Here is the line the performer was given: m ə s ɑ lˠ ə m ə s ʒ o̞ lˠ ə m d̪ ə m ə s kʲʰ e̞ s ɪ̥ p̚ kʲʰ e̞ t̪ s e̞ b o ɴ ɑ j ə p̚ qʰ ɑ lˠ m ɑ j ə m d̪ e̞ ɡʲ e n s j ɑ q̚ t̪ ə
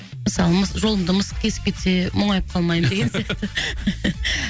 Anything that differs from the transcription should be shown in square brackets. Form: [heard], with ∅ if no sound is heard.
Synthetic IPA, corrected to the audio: m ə s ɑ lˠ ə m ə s ʒ o̞ lˠ ə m d̪ ə m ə s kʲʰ e̞ s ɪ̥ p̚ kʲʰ e̞ t̪ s e̞ [m] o ɴ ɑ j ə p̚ qʰ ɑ lˠ m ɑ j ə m d̪ e̞ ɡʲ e n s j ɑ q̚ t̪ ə